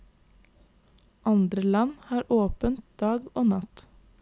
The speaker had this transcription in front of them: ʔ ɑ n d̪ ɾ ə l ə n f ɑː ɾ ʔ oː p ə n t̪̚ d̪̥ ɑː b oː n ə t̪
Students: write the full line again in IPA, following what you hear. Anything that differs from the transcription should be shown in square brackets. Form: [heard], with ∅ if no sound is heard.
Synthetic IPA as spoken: ʔ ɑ n d̪ ɾ ə l [ɑ] n [h] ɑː ɾ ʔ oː p ə n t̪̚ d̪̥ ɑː [ɡ] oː n [ɑ] t̪